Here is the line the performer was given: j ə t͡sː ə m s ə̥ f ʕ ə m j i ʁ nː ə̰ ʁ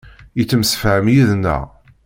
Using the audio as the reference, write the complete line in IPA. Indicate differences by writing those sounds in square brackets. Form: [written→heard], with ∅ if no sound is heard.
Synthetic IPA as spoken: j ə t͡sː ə m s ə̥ f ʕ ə m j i [ʁ→ð] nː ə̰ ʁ